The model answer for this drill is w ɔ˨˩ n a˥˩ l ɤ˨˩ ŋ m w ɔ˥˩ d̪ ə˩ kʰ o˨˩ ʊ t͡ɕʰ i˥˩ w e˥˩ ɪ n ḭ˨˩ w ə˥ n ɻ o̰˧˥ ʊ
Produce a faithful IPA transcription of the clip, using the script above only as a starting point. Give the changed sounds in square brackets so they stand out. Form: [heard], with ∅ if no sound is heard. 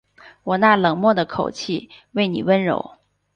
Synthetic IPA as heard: w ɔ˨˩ n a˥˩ l ɤ˨˩ ŋ m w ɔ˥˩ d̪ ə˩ kʰ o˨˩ ʊ t͡ɕʰ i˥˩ w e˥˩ ɪ n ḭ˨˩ w ə˥ n ɻ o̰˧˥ ʊ

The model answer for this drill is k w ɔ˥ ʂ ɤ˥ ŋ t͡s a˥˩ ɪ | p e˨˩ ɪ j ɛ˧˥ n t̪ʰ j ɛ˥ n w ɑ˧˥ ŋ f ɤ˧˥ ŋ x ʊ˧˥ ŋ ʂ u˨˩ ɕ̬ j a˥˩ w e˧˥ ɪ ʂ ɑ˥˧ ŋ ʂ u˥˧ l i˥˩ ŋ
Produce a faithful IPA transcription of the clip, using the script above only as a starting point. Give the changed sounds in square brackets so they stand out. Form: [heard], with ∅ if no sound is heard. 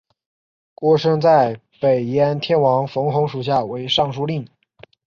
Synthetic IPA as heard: k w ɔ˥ ʂ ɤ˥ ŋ t͡s a˥˩ ɪ | p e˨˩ ɪ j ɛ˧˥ n t̪ʰ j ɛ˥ n w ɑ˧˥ ŋ f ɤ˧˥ ŋ x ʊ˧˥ ŋ ʂ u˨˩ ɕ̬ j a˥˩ w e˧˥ ɪ ʂ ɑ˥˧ ŋ ʂ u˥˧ l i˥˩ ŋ

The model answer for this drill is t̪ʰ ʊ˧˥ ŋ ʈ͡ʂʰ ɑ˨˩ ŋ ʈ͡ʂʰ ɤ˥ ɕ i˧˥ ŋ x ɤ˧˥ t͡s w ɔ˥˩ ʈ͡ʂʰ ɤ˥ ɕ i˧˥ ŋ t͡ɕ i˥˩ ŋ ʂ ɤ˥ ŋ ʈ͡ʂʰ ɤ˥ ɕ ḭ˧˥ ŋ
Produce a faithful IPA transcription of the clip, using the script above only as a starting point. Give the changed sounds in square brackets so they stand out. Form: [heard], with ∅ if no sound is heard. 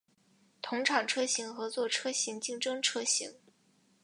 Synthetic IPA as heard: t̪ʰ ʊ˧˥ ŋ ʈ͡ʂʰ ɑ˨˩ ŋ ʈ͡ʂʰ ɤ˥ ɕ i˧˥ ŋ x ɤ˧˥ t͡s w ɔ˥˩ ʈ͡ʂʰ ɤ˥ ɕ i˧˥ ŋ t͡ɕ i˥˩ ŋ [ʈ͡ʂ] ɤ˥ ŋ ʈ͡ʂʰ ɤ˥ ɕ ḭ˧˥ ŋ

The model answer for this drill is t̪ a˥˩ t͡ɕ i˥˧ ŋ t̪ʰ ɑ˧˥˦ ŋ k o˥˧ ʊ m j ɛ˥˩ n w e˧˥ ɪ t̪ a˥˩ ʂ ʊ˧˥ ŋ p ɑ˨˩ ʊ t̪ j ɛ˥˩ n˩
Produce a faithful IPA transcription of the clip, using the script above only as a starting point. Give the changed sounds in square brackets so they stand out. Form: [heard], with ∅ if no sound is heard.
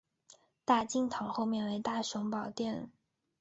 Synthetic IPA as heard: t̪ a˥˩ t͡ɕ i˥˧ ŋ t̪ʰ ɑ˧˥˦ ŋ [x] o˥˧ ʊ m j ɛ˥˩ n w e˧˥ ɪ t̪ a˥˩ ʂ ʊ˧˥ ŋ p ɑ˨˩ ʊ t̪ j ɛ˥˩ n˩

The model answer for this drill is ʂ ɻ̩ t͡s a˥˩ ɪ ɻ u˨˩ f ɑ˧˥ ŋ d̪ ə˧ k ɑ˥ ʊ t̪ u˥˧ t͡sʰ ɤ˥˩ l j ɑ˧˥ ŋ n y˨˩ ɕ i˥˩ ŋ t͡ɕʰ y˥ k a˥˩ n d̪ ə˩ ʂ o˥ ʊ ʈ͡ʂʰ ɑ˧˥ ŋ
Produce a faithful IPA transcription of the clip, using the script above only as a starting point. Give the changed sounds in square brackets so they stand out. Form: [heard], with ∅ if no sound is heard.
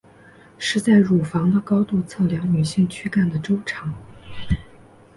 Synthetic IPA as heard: ʂ ɻ̩ t͡s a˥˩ ɪ ɻ u˨˩ f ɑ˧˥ ŋ d̪ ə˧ k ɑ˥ ʊ t̪ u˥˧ t͡sʰ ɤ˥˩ l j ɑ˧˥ ŋ n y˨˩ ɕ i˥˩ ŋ t͡ɕʰ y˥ k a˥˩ n d̪ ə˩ [ʈ͡ʂ] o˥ ʊ ʈ͡ʂʰ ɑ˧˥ ŋ

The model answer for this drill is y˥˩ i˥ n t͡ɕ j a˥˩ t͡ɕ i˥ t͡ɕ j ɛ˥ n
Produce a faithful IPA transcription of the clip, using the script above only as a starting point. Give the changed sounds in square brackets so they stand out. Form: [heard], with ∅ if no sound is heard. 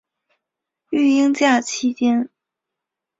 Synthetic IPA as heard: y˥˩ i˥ [ŋ] t͡ɕ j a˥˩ [t͡ɕʰ] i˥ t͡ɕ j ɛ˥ n

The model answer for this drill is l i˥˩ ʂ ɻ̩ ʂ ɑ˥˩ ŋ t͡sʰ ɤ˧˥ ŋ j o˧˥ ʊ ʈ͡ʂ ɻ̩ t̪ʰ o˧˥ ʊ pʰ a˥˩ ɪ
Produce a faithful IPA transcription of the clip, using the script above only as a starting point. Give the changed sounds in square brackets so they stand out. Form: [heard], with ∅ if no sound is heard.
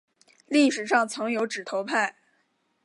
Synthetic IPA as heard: l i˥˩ ʂ ɻ̩ ʂ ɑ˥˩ ŋ t͡sʰ ɤ˧˥ ŋ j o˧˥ ʊ ʈ͡ʂ ɻ̩ t̪ʰ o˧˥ ʊ pʰ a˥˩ ɪ

